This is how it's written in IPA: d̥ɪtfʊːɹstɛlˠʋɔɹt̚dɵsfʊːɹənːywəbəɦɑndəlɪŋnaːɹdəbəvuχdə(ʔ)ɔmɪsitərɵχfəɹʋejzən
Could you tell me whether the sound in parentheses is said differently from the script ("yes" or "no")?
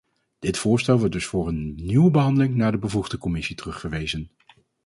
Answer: yes